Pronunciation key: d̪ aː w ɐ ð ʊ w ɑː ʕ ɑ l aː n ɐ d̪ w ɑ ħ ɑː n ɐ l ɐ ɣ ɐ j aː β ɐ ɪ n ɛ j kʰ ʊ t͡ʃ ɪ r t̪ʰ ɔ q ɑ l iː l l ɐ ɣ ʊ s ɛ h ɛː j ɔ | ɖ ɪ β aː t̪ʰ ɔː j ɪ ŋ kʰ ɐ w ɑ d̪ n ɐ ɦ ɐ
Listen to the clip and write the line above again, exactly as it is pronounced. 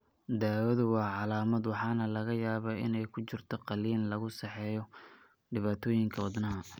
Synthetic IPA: d̪ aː w ɐ ð ʊ w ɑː ʕ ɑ l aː m ɐ d̪ w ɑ ħ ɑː n ɐ l ɐ ɣ ɐ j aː β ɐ ɪ n ɛ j kʰ ʊ t͡ʃ ɪ r t̪ʰ ɔ q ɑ l iː l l ɐ ɣ ʊ s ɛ ħ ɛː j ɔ | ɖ ɪ β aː t̪ʰ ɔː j ɪ ŋ kʰ ɐ w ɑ d̪ n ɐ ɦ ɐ